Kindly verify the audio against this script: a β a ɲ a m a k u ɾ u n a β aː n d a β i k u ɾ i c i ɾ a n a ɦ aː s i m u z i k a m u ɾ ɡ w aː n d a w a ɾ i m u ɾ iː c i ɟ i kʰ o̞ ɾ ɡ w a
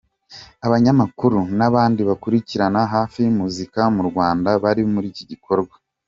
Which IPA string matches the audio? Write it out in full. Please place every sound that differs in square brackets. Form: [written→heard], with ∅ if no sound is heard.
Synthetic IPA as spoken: a β a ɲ a m a k u ɾ u n a β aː n d [a→i] β [i→a] k u ɾ i c i ɾ a n a ɦ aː [s→f] i m u z i k a m u ɾ ɡ w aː n d a [w→β] a ɾ i m u ɾ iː c i ɟ i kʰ o̞ ɾ ɡ w a